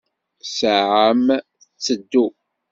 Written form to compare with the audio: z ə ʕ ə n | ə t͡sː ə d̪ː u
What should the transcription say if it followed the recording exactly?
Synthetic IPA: s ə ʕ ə m | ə t͡sː ə d̪ː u

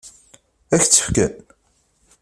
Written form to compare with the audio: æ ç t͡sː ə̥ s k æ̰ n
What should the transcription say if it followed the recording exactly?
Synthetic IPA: æ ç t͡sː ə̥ f k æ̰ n

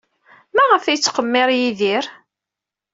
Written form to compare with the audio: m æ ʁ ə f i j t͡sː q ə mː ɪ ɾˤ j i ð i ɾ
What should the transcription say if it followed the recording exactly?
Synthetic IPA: m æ ʁ ə f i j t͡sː q ə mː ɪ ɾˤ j i ð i ɾ

